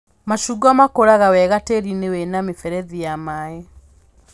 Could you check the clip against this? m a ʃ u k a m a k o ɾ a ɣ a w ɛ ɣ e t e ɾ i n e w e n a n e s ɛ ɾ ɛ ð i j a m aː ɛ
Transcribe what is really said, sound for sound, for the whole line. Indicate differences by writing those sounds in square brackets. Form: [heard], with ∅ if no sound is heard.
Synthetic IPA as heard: m a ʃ u [ɡ] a m a k o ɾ a ɣ a w ɛ ɣ [a] t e ɾ i n e w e n a [m] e [f] ɛ ɾ ɛ ð i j a m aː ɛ